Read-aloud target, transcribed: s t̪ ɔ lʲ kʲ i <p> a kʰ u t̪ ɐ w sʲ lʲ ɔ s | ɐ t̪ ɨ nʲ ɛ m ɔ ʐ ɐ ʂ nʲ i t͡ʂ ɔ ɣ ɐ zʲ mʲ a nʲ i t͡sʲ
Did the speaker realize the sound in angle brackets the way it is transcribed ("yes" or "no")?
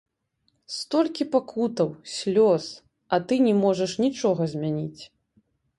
yes